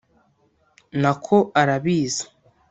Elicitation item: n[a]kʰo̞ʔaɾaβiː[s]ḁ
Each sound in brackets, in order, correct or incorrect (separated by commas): correct, incorrect